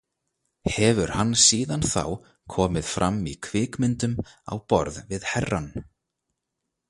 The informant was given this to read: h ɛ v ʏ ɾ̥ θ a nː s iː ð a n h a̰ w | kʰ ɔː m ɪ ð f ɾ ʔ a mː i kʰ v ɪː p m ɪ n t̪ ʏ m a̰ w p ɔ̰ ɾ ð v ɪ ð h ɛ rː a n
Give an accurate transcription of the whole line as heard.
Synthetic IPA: h ɛ v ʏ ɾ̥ h a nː s iː ð a n θ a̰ w | kʰ ɔː m ɪ ð f ɾ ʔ a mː i kʰ v ɪː k m ɪ n t̪ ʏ m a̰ w p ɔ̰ ɾ ð v ɪ ð h ɛ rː a n